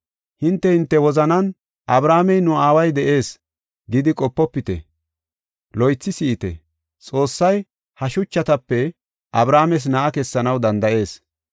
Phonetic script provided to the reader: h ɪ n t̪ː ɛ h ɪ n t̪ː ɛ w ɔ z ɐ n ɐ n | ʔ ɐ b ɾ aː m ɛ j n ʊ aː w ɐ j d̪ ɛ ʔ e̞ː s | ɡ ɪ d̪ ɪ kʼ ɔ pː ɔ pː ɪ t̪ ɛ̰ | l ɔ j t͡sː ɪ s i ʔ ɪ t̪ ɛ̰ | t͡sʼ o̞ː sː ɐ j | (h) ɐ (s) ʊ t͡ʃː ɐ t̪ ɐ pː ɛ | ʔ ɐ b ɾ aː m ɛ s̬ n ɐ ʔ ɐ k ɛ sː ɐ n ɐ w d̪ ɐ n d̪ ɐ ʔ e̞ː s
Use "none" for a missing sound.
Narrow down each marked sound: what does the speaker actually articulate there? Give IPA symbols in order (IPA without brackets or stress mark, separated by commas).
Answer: h, ʃ